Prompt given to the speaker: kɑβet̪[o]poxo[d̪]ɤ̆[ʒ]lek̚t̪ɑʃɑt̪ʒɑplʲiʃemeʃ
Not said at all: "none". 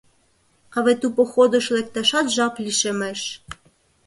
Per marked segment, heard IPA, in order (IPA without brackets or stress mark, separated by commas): u, d̪, ʃ